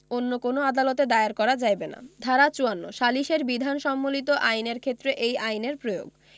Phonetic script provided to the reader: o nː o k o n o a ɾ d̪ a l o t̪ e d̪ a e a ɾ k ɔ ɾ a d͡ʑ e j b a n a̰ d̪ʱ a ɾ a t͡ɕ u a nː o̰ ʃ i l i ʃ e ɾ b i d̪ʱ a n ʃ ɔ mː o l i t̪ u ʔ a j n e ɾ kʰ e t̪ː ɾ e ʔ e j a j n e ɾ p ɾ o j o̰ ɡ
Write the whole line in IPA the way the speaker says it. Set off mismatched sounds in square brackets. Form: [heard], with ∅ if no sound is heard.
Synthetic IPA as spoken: o nː o k o n o a [∅] d̪ a l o t̪ e d̪ a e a ɾ k ɔ ɾ a d͡ʑ [a] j b [e] n a̰ d̪ʱ a ɾ a t͡ɕ u a nː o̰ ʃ [a] l i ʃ e ɾ b i d̪ʱ a n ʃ ɔ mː o l i t̪ [o] ʔ a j n e ɾ kʰ e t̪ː ɾ e ʔ e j a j n e ɾ p ɾ o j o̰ ɡ